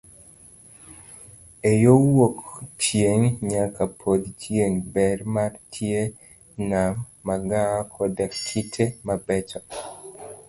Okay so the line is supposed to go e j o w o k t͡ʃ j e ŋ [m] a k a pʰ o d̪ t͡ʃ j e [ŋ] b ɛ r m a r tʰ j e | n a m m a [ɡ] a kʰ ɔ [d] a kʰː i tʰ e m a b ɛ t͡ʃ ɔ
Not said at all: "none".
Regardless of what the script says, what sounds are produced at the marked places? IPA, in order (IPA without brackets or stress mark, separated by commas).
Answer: ɲ, ŋ, ɡ, d